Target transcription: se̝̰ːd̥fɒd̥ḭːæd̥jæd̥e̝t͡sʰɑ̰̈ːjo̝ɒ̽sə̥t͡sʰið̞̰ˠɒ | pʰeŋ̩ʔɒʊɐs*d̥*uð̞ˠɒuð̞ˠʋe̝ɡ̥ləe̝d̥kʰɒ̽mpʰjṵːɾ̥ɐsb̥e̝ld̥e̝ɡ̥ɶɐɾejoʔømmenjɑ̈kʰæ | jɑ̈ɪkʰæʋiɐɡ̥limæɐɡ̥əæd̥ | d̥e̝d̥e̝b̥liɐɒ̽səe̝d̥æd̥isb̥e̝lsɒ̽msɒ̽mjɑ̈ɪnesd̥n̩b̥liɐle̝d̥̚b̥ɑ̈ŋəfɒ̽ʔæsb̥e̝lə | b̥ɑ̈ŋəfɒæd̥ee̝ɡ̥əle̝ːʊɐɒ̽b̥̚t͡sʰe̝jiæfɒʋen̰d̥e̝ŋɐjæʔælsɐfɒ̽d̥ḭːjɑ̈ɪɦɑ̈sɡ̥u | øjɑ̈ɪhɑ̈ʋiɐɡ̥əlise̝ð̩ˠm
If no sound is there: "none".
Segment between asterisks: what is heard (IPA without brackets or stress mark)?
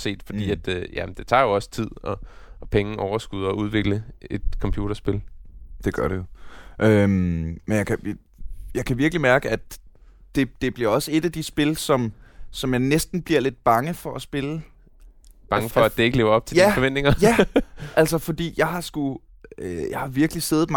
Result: ɡ̥